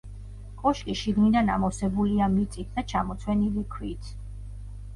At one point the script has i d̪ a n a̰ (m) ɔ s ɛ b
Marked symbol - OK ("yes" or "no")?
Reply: yes